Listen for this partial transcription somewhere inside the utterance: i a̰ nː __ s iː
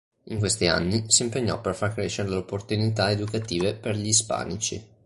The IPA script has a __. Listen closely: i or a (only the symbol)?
i